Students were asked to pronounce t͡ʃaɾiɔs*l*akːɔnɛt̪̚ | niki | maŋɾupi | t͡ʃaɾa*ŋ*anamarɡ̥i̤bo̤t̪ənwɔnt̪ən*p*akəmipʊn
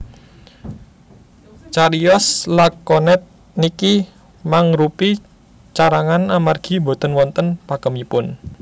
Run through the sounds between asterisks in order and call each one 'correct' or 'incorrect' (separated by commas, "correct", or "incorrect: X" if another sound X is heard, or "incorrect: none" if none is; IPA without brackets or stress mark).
correct, correct, correct